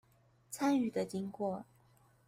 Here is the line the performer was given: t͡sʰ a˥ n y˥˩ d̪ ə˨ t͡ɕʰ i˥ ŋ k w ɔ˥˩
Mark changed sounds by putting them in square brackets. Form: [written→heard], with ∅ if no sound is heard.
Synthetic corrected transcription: t͡sʰ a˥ n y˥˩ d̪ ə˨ [t͡ɕʰ→t͡ɕ] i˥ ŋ k w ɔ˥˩